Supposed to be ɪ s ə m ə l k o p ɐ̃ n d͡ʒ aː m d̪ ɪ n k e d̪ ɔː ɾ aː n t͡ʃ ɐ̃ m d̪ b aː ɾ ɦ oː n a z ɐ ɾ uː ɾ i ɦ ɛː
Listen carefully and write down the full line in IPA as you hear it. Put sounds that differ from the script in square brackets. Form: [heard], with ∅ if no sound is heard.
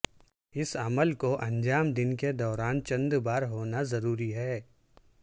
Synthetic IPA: ɪ s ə m ə l k o [ʔ] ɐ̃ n d͡ʒ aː m d̪ ɪ n k e d̪ ɔː ɾ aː n t͡ʃ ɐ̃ [n] d̪ b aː ɾ ɦ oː n a z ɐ ɾ uː ɾ i ɦ ɛː

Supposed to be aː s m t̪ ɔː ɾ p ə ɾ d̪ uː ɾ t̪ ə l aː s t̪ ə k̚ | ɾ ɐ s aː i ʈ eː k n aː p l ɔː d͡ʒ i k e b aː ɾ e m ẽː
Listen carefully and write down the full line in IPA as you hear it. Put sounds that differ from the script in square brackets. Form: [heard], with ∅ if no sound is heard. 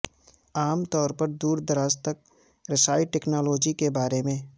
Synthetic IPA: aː [∅] m t̪ ɔː ɾ p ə ɾ d̪ uː ɾ [d̪] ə [ɾ] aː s t̪ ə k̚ | ɾ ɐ s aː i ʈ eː k n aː [∅] l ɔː d͡ʒ i k e b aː ɾ e m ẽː

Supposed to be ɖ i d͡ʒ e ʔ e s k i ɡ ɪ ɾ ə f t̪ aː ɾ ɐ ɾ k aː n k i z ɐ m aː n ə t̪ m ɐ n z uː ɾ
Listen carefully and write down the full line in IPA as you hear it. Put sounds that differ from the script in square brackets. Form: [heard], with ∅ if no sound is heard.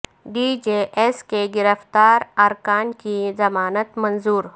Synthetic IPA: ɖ i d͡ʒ e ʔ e s k [e] ɡ ɪ ɾ ə f t̪ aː ɾ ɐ ɾ k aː n k i z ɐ m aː n ə t̪ m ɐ n z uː ɾ

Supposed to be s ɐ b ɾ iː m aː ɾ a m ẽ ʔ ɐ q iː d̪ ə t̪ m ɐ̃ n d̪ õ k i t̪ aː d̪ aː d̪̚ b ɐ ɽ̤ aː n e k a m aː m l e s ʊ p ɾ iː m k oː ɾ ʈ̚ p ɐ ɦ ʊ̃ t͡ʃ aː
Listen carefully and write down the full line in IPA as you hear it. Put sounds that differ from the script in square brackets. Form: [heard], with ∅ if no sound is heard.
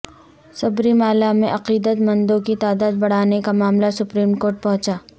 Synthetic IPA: s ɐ b ɾ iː m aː [l] a m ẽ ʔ ɐ q iː d̪ ə t̪ m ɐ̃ n d̪ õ k i t̪ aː d̪ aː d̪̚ b ɐ ɽ̤ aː n e k a m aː m l [a] s ʊ p ɾ iː m k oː ɾ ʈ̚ p ɐ ɦ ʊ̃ t͡ʃ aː

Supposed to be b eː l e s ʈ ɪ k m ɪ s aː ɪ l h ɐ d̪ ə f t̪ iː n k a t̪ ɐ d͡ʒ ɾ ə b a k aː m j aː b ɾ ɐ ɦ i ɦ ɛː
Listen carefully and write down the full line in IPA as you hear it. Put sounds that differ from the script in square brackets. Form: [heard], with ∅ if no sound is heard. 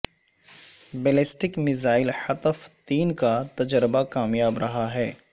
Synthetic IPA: b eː l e s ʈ ɪ k m ɪ [z] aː ɪ l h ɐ [t̪] ə f t̪ iː n k a t̪ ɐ d͡ʒ ɾ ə b a k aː m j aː b ɾ ɐ ɦ [a] ɦ ɛː

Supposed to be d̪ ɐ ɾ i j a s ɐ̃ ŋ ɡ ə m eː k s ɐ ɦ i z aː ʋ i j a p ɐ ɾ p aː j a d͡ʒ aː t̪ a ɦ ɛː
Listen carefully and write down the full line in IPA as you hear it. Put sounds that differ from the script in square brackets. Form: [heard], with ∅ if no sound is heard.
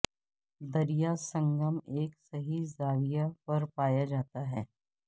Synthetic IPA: d̪ ɐ ɾ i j a s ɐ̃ ŋ ɡ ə m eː k s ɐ ɦ i z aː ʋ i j a p ɐ ɾ p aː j a d͡ʒ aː t̪ a ɦ ɛː

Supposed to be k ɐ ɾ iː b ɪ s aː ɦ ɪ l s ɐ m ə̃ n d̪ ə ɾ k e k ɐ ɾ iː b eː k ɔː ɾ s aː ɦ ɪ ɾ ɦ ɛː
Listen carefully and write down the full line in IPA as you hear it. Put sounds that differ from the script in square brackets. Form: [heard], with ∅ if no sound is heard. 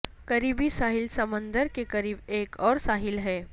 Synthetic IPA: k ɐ ɾ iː b [i] s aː ɦ ɪ l s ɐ m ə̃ n d̪ ə ɾ k e k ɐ ɾ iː b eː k ɔː ɾ s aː ɦ ɪ [l] ɦ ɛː

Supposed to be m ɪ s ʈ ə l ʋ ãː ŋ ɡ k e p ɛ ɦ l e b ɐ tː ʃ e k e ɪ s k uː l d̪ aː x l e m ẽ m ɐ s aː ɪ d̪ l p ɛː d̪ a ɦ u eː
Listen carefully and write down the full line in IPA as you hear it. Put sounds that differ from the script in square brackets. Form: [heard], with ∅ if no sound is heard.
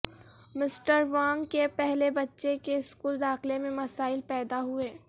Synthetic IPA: m ɪ s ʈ ə [ɾ] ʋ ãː ŋ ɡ k e p ɛ ɦ l e b ɐ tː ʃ e k e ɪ s k uː l d̪ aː x l e m ẽ m ɐ s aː ɪ [∅] l p ɛː d̪ a ɦ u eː

